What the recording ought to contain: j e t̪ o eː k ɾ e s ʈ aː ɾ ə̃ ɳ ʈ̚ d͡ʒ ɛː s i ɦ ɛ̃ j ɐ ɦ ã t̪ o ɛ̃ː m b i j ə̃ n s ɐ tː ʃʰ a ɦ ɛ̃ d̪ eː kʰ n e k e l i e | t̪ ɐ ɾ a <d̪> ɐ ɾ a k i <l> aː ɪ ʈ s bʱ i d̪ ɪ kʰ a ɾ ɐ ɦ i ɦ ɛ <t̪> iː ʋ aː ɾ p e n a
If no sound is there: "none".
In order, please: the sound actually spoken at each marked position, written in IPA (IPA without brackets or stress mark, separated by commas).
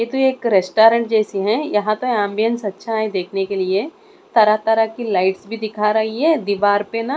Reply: t̪, l, d̪